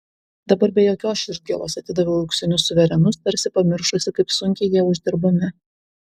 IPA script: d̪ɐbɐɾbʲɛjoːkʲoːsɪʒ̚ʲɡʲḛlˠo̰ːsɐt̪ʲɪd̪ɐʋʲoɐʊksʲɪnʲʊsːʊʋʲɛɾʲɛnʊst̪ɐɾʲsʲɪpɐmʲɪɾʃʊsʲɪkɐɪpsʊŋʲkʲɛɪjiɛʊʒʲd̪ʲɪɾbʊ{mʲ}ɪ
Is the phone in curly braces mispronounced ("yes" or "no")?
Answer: no